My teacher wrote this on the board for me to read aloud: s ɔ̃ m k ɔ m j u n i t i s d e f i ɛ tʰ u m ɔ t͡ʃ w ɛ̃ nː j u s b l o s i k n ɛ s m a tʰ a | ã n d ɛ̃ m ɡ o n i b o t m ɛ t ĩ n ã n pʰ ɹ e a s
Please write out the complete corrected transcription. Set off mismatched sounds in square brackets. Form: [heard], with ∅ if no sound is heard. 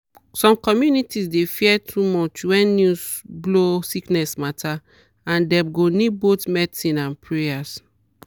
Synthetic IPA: s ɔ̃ m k ɔ m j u n i t i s d e f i ɛ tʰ u m ɔ t͡ʃ w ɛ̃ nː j u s b l o s i k n ɛ s m a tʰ a | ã n d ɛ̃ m ɡ o n i b o t m ɛ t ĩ n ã n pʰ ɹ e a s